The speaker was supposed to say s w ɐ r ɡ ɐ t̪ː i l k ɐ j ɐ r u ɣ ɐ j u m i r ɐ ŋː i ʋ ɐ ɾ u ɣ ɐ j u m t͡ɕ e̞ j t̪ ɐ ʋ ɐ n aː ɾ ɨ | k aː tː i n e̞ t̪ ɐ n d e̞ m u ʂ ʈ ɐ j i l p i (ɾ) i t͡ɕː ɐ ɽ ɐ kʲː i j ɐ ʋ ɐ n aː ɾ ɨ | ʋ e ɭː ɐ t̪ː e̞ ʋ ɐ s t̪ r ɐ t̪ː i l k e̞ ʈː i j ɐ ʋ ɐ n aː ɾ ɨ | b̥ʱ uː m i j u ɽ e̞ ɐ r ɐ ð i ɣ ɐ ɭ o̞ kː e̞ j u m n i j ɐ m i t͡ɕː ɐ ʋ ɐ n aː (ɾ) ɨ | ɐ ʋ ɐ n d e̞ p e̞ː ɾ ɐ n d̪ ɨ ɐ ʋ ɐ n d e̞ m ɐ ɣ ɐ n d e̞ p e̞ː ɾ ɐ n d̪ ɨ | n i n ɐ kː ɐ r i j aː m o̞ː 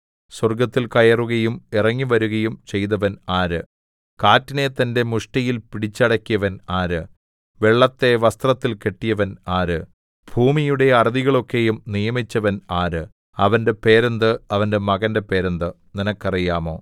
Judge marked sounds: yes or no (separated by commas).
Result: no, yes